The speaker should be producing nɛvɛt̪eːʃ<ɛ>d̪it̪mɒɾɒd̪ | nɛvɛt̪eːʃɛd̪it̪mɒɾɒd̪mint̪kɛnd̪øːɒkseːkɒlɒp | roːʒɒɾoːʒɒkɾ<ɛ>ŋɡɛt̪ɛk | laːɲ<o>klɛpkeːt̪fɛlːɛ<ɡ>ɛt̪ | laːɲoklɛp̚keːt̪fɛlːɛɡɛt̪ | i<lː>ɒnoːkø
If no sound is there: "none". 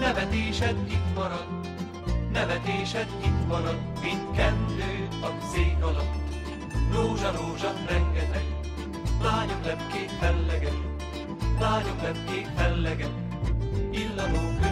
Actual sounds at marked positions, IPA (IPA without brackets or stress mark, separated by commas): ɛ, ɛ, o, ɡ, lː